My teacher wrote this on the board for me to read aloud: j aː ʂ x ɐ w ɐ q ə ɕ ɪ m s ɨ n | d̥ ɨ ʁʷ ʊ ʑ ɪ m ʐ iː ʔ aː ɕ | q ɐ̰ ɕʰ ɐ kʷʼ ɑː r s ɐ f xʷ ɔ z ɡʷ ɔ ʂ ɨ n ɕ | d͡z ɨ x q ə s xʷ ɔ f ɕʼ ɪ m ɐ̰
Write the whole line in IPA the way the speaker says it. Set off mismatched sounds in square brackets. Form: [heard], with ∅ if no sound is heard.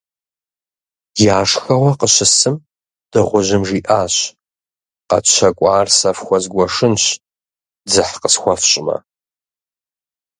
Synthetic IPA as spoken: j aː ʂ x ɐ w ɐ q ə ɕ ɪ [∅] s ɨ [m] | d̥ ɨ ʁʷ ʊ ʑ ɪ m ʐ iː ʔ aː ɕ | q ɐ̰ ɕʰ ɐ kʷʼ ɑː r s ɐ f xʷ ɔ z ɡʷ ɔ ʂ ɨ n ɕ | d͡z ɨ [ħ] q ə s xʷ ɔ f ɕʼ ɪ m ɐ̰